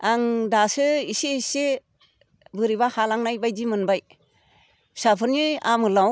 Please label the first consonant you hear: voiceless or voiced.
voiced